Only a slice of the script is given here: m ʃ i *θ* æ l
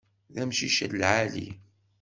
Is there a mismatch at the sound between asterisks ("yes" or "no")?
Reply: yes